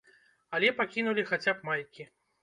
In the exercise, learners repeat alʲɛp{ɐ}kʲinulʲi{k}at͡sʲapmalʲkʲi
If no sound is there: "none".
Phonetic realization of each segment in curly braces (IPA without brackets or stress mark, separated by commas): a, x